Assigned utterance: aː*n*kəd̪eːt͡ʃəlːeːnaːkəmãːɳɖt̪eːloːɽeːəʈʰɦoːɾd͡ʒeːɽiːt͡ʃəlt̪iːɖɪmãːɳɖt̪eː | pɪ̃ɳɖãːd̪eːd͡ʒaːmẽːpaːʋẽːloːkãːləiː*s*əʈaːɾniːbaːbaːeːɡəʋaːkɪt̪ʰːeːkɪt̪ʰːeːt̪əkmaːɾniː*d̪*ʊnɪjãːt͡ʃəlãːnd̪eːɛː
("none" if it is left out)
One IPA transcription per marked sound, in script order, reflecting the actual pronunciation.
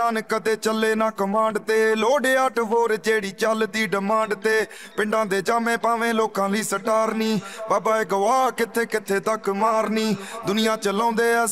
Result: n, s, d̪

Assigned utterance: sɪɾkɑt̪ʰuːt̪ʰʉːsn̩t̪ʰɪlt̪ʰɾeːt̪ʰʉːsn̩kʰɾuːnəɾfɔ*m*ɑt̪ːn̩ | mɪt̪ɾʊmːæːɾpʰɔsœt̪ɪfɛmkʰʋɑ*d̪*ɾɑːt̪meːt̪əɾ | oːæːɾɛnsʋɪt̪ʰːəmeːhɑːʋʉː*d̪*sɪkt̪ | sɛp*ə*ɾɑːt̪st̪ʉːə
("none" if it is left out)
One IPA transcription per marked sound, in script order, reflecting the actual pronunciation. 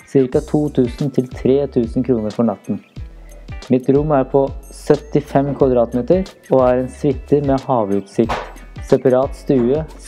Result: ɳ, d̪, t̪, ɑ

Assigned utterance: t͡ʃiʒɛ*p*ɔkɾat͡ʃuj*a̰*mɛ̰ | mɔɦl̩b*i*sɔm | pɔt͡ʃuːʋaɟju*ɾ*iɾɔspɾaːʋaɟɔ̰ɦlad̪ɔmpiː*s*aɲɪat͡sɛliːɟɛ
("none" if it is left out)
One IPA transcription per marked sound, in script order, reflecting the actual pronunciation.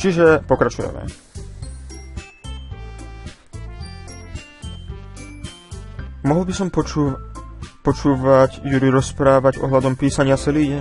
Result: p, ɛ̰, i, ɾ, s

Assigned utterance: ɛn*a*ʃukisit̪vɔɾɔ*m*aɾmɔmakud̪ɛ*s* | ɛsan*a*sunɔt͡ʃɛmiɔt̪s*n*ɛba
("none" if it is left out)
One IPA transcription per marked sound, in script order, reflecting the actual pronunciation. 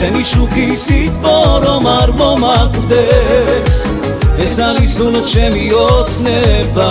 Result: i, m, s, i, n

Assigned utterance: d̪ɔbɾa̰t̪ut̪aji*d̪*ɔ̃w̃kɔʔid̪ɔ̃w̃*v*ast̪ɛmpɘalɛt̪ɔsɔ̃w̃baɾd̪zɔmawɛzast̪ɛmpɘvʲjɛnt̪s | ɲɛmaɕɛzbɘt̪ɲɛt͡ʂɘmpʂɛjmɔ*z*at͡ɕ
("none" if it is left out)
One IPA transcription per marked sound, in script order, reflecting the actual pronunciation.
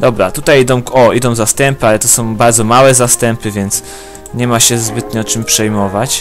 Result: d̪, z, v

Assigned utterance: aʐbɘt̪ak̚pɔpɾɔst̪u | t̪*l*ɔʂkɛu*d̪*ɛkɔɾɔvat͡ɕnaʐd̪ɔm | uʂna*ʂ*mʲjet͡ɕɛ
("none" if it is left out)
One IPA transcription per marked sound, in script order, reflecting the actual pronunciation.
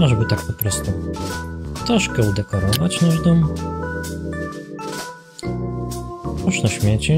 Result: ɾ, d̪, ɕ

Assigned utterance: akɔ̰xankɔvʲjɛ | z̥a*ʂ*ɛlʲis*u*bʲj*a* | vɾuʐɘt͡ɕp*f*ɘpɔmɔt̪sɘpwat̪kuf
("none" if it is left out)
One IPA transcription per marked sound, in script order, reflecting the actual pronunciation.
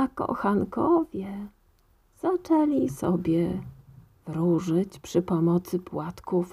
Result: t͡ʂ, ɔ, ɛ, ʂ

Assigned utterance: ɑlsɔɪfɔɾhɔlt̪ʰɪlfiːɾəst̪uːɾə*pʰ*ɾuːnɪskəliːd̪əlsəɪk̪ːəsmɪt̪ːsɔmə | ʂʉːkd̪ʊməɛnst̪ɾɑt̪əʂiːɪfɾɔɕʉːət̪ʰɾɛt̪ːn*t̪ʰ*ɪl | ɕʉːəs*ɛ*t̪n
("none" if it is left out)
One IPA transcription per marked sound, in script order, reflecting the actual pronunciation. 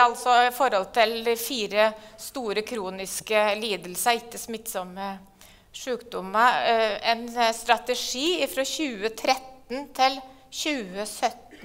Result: kʰ, t̪ʰ, œ

